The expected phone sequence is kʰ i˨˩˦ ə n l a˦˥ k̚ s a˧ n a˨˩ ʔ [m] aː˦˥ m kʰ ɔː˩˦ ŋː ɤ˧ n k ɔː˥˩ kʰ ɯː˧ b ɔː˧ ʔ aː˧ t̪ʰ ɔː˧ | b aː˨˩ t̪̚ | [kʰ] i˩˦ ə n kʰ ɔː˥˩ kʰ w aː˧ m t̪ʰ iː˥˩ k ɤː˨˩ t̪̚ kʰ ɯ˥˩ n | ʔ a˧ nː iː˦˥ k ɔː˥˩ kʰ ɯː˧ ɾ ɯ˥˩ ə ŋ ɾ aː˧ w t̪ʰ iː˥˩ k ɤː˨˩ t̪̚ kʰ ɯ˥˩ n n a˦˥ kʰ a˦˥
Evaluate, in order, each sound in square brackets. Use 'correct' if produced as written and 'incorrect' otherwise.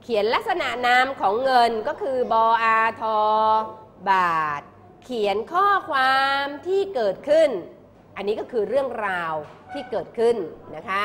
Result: incorrect: n, correct

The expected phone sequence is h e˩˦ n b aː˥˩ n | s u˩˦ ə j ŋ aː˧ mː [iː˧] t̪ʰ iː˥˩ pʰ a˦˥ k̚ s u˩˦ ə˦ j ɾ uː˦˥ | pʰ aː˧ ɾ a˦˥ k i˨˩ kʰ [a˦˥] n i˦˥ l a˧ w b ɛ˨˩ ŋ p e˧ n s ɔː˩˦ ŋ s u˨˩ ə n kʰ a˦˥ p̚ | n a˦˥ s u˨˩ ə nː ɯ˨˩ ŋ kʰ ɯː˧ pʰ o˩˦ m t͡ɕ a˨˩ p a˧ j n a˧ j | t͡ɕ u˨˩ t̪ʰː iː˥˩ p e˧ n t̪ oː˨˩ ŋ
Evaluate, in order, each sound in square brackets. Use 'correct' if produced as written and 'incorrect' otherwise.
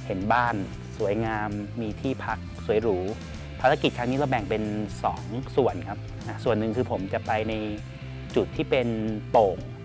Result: correct, correct

